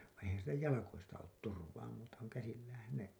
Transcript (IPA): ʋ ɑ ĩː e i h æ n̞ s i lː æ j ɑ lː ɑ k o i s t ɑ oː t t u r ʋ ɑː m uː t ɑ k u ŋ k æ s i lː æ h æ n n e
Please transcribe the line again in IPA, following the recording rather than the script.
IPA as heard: ʋ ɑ ĩː e i h æ n̞ s i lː æ j ɑ l ɑ k o i s t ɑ oː t t u r ʋ ɑː m uː t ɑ k u ŋ k æ s i lː æː h æ n n e